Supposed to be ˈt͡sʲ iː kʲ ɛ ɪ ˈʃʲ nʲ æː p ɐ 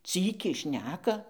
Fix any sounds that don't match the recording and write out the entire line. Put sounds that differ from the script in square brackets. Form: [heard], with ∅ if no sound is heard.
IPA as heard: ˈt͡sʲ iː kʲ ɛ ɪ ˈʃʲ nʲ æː [k] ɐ

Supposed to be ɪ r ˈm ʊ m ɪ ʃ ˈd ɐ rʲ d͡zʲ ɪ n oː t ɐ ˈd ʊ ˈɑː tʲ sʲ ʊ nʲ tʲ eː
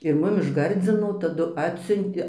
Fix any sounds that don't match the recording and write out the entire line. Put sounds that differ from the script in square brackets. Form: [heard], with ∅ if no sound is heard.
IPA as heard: ɪ r ˈm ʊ m ɪ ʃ [ˈɡ] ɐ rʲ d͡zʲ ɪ n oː t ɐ ˈd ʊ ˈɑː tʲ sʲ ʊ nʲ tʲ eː

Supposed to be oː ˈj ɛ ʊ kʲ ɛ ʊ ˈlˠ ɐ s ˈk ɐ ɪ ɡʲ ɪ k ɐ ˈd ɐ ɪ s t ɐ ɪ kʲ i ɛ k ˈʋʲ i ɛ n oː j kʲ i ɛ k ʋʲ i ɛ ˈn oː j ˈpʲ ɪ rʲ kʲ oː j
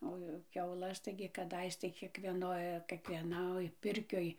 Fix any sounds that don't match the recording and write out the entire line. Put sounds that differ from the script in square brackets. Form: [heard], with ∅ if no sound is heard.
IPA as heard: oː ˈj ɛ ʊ kʲ ɛ ʊ ˈlˠ ɐ s [ˈt] ɐ ɪ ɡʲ ɪ k ɐ ˈd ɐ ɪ s t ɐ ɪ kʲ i ɛ k ˈʋʲ i ɛ n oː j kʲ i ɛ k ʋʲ i ɛ ˈn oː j ˈpʲ ɪ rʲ kʲ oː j

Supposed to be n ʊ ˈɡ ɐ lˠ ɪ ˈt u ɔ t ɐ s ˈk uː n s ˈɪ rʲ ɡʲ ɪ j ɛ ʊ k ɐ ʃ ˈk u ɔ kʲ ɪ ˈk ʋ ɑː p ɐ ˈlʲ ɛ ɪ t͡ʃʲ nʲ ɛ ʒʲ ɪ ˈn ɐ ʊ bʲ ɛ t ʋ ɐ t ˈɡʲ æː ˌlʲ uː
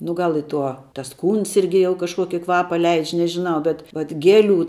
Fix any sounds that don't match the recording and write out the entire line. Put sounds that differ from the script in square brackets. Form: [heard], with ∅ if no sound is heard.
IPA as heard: n ʊ ˈɡ ɐ lˠ ɪ ˈt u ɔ t ɐ s ˈk uː n s ˈɪ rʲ ɡʲ ɪ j ɛ ʊ k ɐ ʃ ˈk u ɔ kʲ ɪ ˈk ʋ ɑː p ɐ ˈlʲ ɛ ɪ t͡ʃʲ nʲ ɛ ʒʲ ɪ ˈn ɐ ʊ bʲ ɛ t ʋ ɐ t ˈɡʲ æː ˌlʲ uː

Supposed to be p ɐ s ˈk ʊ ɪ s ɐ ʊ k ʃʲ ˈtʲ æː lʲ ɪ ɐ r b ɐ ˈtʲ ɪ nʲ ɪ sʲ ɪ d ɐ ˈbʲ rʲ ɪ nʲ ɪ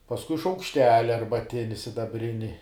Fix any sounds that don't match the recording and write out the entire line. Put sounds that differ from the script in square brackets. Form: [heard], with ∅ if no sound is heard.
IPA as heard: p ɐ s ˈk ʊ ɪ [ʃ] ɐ ʊ k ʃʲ ˈtʲ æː lʲ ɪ ɐ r b ɐ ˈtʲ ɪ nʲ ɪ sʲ ɪ d ɐ ˈbʲ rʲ ɪ nʲ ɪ

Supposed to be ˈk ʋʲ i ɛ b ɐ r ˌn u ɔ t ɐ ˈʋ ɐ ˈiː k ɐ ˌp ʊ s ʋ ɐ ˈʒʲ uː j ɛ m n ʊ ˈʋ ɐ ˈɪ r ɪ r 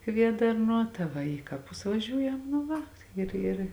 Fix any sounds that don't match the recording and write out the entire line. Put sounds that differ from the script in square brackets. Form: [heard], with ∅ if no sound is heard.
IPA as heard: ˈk ʋʲ i ɛ [d] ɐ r ˌn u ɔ t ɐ ˈʋ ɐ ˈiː k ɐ ˌp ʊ s ʋ ɐ ˈʒʲ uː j ɛ m n ʊ ˈʋ ɐ ˈɪ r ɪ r

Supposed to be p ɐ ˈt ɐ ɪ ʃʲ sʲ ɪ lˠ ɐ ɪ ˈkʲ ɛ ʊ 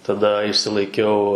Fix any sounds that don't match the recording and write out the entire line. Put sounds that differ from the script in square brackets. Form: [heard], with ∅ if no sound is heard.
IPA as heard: [t] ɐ [ˈd] ɐ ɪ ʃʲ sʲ ɪ lˠ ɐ ɪ ˈkʲ ɛ ʊ

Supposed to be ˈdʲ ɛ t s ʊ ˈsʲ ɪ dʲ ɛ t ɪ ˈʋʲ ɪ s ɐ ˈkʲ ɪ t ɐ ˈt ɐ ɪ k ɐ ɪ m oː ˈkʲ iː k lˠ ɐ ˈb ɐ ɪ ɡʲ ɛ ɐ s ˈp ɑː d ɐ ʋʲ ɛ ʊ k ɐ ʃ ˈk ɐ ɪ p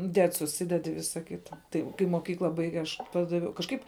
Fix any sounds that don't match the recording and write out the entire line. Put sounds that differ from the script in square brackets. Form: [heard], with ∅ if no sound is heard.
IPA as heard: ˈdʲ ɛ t s ʊ ˈsʲ ɪ dʲ ɛ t ɪ ˈʋʲ ɪ s ɐ ˈkʲ ɪ t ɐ ˈt ɐ ɪ k ɐ ɪ m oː ˈkʲ iː k lˠ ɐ ˈb ɐ ɪ ɡʲ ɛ ɐ [ʃ] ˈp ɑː d ɐ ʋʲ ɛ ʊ k ɐ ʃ ˈk ɐ ɪ p

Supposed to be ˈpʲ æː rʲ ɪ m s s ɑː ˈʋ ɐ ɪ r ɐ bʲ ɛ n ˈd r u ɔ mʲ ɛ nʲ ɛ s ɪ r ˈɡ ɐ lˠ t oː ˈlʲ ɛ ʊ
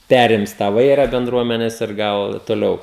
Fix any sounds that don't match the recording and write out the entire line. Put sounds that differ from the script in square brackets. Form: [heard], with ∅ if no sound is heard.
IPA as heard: ˈpʲ æː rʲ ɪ m s [t] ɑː ˈʋ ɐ ɪ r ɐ bʲ ɛ n ˈd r u ɔ mʲ ɛ nʲ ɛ s ɪ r ˈɡ ɐ lˠ t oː ˈlʲ ɛ ʊ

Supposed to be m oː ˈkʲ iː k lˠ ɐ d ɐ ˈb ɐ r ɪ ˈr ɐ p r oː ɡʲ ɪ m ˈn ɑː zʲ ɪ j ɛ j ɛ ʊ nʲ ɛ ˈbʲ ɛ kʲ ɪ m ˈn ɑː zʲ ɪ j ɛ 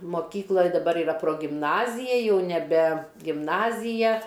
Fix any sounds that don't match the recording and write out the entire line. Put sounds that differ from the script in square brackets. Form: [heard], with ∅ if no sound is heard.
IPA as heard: m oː ˈkʲ iː k lˠ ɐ d ɐ ˈb ɐ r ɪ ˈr ɐ p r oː ɡʲ ɪ m ˈn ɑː zʲ ɪ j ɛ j ɛ ʊ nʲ ɛ ˈbʲ ɛ [ɡʲ] ɪ m ˈn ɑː zʲ ɪ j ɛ

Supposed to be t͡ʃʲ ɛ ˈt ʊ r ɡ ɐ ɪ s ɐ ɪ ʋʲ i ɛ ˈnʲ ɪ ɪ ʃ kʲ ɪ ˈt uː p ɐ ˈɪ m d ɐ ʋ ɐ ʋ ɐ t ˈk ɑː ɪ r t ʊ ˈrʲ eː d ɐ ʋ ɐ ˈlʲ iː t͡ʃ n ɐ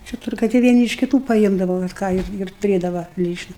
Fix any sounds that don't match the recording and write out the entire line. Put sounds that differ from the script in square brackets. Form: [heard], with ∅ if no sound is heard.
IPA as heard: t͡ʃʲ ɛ ˈt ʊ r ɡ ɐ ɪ [t] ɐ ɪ ʋʲ i ɛ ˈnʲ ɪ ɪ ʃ kʲ ɪ ˈt uː p ɐ ˈɪ m d ɐ ʋ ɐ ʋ ɐ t ˈk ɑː ɪ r t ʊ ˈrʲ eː d ɐ ʋ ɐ ˈlʲ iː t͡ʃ n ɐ

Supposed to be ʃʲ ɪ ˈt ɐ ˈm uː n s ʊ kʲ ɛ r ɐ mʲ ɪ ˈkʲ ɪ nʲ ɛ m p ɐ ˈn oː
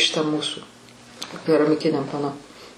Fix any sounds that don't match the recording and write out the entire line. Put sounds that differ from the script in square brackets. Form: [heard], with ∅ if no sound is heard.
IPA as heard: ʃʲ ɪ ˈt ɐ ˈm uː [∅] s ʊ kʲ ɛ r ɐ mʲ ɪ ˈkʲ ɪ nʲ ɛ m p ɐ ˈn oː

